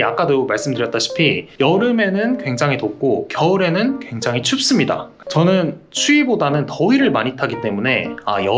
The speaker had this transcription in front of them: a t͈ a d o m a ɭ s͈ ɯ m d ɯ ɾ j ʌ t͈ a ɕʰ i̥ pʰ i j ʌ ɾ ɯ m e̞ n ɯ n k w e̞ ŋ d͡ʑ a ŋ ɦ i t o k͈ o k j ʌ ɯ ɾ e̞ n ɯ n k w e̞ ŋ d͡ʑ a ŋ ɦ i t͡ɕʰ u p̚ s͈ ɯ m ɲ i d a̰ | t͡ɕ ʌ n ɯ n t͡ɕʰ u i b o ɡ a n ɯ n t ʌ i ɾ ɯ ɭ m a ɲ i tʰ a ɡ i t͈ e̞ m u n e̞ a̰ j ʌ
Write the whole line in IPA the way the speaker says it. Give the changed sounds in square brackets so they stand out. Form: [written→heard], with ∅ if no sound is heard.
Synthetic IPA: a [t͈→k͈] a d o m a ɭ s͈ ɯ m d ɯ ɾ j ʌ t͈ a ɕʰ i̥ pʰ i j ʌ ɾ ɯ m e̞ n ɯ n k w e̞ ŋ d͡ʑ a ŋ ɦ i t o k͈ o k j ʌ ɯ ɾ e̞ n ɯ n k w e̞ ŋ d͡ʑ a ŋ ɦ i t͡ɕʰ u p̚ s͈ ɯ m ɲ i d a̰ | t͡ɕ ʌ n ɯ n t͡ɕʰ u i b o [ɡ→d] a n ɯ n t ʌ i ɾ ɯ ɭ m a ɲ i tʰ a ɡ i t͈ e̞ m u n e̞ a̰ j ʌ

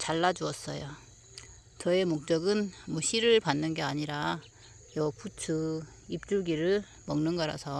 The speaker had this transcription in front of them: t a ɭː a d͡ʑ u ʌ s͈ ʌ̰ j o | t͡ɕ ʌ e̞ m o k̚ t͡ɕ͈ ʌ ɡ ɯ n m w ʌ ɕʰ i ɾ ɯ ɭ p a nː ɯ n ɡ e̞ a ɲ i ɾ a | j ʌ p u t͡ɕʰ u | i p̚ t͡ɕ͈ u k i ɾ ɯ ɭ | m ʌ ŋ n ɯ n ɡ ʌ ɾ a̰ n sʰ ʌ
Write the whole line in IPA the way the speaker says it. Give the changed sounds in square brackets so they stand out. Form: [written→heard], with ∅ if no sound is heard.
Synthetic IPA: [t→t͡ɕ] a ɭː a d͡ʑ u ʌ s͈ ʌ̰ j o | t͡ɕ ʌ e̞ m o k̚ t͡ɕ͈ ʌ ɡ ɯ n m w ʌ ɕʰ i ɾ ɯ ɭ p a nː ɯ n ɡ e̞ a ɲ i ɾ a | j ʌ p u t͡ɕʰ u | i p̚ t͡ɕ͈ u [k→ɡ] i ɾ ɯ ɭ | m ʌ ŋ n ɯ n ɡ ʌ ɾ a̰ [n→∅] sʰ ʌ

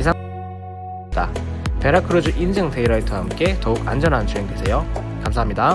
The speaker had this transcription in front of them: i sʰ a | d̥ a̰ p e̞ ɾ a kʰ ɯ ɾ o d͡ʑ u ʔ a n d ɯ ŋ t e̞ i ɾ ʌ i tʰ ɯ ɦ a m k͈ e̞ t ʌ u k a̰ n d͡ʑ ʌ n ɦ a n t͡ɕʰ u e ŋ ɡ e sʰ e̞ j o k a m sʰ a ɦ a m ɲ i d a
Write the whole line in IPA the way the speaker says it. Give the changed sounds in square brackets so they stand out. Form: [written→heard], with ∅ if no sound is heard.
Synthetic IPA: i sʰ a | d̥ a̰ p e̞ ɾ a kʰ ɯ ɾ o d͡ʑ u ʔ [a→i] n [d→d͡ʑ] ɯ ŋ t e̞ i ɾ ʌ i tʰ ɯ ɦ a m k͈ e̞ t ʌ u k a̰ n d͡ʑ ʌ n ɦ a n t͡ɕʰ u e ŋ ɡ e sʰ e̞ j o k a m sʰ a ɦ a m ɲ i d a

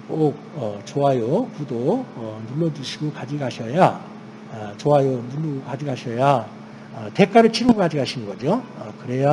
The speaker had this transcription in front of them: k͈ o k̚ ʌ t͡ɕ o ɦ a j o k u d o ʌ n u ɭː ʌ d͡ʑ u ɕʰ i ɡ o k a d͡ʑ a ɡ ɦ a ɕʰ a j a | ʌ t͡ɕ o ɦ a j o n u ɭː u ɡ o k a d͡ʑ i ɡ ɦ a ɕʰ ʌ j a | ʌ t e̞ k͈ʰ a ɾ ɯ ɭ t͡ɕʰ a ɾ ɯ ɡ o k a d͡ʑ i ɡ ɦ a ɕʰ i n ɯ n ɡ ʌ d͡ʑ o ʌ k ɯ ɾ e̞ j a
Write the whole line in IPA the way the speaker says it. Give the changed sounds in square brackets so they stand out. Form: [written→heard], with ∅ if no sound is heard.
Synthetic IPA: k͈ o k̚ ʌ t͡ɕ o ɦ a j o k u d o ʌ n u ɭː ʌ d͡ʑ u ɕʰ i ɡ o k a d͡ʑ [a→i] ɡ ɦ a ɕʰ [a→ʌ] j a | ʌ t͡ɕ o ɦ a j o n u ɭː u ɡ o k a d͡ʑ i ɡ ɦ a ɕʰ ʌ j a | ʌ t e̞ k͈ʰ a ɾ ɯ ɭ t͡ɕʰ [a→i] ɾ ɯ ɡ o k a d͡ʑ i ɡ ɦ a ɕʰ i n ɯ n ɡ ʌ d͡ʑ o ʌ k ɯ ɾ e̞ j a

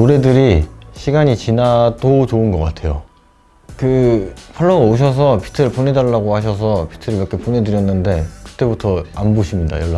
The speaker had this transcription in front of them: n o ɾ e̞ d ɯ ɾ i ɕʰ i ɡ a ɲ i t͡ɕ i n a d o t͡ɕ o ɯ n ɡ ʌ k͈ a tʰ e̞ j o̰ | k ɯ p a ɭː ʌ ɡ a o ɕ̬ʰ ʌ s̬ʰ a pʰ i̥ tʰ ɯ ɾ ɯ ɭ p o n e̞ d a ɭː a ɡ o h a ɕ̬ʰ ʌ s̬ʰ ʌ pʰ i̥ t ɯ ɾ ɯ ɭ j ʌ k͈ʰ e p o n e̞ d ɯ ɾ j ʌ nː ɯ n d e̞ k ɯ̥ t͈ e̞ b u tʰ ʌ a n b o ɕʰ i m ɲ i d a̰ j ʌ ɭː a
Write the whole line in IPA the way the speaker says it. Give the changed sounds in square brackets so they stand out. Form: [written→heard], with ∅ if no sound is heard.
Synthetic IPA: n o ɾ e̞ d ɯ ɾ i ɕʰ i ɡ a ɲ i t͡ɕ i n a d o t͡ɕ o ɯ n ɡ ʌ k͈ a tʰ e̞ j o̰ | k ɯ [p→pʰ] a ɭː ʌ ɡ a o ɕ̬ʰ ʌ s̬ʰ [a→ʌ] pʰ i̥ tʰ ɯ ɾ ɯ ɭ p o n e̞ d a ɭː a ɡ o h a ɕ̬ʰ ʌ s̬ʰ ʌ pʰ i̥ [t→tʰ] ɯ ɾ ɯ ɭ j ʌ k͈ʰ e p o n e̞ d ɯ ɾ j ʌ nː ɯ n d e̞ k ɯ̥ t͈ e̞ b u tʰ ʌ a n b o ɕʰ i m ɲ i d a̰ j ʌ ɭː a

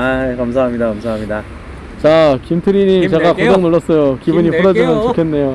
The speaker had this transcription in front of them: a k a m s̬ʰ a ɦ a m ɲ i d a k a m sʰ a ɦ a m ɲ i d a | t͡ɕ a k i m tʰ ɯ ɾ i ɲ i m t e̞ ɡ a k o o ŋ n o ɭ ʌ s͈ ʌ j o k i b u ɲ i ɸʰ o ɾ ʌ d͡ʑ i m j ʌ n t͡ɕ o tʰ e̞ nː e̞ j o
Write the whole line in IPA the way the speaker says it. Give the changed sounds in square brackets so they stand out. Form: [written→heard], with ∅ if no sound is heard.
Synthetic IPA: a k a m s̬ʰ a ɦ a m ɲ i d a k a m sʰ a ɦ a m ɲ i d a | t͡ɕ a k i m tʰ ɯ ɾ i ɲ i m [t→t͡ɕ] e̞ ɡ a k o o ŋ n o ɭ ʌ s͈ ʌ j o k i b u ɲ i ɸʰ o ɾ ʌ d͡ʑ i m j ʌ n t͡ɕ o [tʰ→kʰ] e̞ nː e̞ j o

